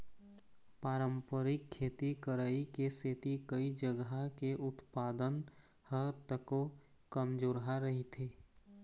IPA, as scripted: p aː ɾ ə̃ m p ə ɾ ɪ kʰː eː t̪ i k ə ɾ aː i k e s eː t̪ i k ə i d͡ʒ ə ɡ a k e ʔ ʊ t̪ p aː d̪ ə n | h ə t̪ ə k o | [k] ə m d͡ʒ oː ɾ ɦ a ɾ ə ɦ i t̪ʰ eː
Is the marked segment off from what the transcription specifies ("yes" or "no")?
no